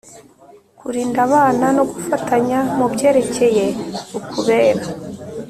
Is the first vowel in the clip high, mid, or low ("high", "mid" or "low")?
high